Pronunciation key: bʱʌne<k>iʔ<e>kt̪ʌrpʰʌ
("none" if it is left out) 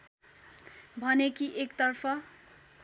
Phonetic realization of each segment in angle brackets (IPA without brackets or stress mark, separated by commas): k, e